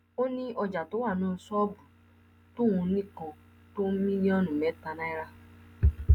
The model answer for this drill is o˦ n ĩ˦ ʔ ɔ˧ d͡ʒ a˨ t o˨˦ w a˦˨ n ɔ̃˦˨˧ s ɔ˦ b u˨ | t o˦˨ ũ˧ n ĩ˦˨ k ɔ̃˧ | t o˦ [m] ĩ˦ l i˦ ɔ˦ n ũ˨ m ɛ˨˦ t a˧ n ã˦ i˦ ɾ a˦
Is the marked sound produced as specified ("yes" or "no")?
yes